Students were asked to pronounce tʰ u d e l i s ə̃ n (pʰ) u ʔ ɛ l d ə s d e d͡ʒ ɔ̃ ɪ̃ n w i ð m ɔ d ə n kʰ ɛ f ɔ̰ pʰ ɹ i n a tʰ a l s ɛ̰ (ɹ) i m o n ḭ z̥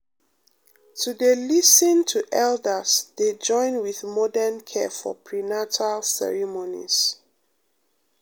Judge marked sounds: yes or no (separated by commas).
no, yes